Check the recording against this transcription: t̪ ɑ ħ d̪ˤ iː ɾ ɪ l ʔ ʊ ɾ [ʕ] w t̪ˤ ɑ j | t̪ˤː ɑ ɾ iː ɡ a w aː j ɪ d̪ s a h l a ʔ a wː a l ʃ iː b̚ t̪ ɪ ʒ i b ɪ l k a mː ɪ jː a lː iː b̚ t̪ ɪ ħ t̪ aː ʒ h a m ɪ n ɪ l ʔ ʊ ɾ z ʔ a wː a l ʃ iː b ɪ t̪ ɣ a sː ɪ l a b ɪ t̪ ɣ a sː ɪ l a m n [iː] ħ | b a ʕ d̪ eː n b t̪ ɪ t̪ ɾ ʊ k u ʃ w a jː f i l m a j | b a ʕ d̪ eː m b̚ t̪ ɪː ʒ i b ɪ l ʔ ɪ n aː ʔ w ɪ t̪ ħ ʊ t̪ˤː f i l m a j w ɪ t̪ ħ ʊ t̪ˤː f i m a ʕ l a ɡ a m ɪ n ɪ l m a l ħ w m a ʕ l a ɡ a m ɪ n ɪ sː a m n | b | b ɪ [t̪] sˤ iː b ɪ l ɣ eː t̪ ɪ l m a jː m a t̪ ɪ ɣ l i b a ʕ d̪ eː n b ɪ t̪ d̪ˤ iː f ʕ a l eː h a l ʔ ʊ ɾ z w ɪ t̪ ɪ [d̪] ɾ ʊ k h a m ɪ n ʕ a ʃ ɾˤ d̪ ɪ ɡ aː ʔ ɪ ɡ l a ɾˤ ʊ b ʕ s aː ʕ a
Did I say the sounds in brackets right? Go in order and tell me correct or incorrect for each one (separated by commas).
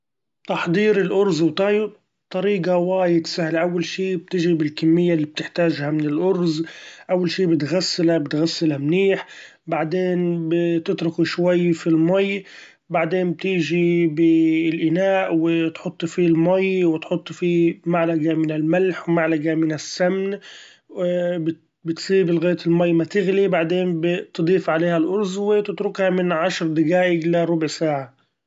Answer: incorrect, correct, correct, incorrect